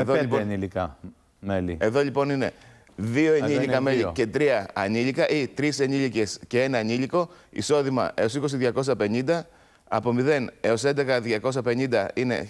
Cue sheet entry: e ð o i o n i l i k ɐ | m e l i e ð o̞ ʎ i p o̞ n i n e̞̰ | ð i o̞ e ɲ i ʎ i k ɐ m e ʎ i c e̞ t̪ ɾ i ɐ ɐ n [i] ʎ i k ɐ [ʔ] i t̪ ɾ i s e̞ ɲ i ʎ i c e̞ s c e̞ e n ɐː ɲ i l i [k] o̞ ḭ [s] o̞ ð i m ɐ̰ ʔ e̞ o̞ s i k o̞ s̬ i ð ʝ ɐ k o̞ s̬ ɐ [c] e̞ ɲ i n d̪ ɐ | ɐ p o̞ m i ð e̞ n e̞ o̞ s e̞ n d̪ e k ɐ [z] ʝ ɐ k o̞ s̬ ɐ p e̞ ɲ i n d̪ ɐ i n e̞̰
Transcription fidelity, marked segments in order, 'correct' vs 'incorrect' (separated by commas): correct, correct, correct, correct, incorrect, incorrect